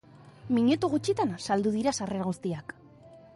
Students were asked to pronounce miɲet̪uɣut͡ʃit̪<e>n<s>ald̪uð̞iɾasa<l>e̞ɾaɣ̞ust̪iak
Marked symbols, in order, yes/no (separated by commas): no, yes, no